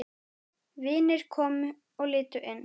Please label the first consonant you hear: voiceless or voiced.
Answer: voiced